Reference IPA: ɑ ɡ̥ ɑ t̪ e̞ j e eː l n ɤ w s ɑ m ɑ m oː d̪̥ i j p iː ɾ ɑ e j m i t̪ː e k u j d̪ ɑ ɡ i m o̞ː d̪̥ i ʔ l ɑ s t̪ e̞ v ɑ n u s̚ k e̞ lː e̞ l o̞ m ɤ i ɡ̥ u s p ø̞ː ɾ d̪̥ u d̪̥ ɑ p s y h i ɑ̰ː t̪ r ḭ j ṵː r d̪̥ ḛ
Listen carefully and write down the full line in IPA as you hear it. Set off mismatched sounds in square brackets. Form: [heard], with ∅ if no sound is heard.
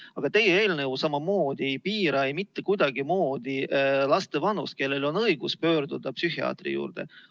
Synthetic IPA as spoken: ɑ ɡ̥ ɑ t̪ e̞ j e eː l n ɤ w s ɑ m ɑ m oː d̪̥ i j p iː ɾ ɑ e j m i t̪ː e k u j d̪ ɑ ɡ i m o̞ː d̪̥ i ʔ l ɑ s t̪ e̞ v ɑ n u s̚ k e̞ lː e̞ l o̞ [n] ɤ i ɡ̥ u s p ø̞ː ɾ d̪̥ u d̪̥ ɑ p s y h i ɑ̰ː t̪ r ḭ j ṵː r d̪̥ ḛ